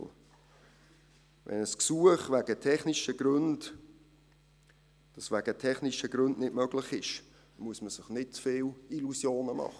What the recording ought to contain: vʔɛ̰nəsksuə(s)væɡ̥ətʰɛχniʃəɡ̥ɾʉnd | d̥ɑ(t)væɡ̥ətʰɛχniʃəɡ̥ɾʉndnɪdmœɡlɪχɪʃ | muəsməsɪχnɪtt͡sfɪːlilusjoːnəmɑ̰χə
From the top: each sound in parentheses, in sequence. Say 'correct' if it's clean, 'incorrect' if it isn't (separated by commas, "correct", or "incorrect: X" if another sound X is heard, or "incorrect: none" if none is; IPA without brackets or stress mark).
incorrect: χ, incorrect: s